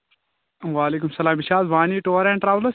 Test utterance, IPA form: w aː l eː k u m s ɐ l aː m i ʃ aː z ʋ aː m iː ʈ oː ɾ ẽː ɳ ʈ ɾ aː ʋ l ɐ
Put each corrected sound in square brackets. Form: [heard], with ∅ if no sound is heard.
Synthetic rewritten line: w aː l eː k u m s ɐ l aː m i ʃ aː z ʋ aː [n] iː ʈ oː ɾ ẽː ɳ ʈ ɾ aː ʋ l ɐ